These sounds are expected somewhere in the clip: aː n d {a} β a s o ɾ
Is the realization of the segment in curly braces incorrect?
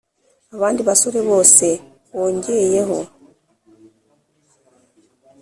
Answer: yes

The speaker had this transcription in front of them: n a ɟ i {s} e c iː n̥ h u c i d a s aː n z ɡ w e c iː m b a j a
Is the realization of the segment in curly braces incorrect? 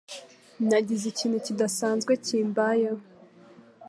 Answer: yes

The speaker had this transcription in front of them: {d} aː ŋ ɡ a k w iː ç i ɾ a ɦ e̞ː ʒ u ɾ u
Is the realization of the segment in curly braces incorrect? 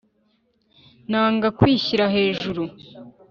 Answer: yes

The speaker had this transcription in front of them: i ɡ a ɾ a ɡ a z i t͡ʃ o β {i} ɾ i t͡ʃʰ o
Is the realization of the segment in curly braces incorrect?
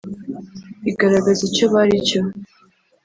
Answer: yes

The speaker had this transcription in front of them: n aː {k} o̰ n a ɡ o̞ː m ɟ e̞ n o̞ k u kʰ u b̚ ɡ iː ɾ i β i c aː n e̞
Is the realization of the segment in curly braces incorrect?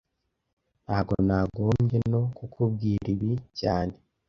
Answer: yes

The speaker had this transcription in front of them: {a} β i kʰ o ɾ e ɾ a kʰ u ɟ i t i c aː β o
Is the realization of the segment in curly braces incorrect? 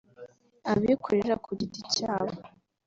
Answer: no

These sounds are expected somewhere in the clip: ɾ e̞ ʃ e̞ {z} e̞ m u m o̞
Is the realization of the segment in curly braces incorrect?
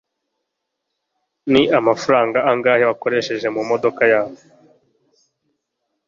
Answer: yes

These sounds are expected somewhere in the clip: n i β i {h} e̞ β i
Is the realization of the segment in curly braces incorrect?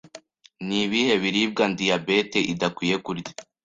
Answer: no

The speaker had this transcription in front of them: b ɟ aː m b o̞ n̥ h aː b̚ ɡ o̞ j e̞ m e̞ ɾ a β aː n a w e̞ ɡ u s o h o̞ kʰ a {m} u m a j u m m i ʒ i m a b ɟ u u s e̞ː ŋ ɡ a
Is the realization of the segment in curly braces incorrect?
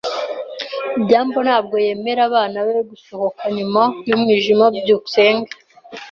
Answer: yes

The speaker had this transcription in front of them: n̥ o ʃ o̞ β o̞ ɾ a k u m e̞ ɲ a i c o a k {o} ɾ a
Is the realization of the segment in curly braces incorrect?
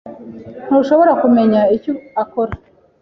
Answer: no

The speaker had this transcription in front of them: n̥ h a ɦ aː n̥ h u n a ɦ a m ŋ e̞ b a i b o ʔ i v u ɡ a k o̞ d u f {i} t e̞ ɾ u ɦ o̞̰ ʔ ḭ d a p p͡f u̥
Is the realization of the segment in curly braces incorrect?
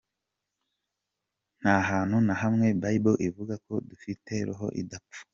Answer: no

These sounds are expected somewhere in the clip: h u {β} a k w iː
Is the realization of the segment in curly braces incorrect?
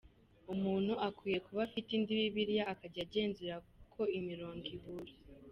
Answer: yes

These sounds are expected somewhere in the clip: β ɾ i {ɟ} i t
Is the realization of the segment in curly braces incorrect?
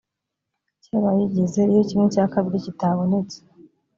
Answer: yes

